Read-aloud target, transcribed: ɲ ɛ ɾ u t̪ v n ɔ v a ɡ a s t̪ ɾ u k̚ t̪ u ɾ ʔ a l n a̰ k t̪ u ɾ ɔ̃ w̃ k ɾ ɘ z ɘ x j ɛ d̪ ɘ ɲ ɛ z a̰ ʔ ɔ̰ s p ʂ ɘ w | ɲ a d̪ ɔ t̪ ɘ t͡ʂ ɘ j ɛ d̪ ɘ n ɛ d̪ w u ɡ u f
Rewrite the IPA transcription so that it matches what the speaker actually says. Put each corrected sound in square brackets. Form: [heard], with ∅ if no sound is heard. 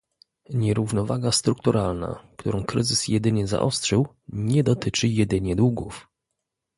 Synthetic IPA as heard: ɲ ɛ ɾ u [∅] v n ɔ v a ɡ a s t̪ ɾ u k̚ t̪ u ɾ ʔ a l n a̰ k t̪ u ɾ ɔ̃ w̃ k ɾ ɘ z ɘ [s] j ɛ d̪ ɘ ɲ ɛ z a̰ ʔ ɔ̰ s [t] ʂ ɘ w | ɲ [ɛ] d̪ ɔ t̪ ɘ t͡ʂ ɘ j ɛ d̪ ɘ [ɲ] ɛ d̪ w u ɡ u f